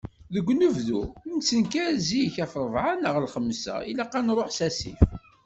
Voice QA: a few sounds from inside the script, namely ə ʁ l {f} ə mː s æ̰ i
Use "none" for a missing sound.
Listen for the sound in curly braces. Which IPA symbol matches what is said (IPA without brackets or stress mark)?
χ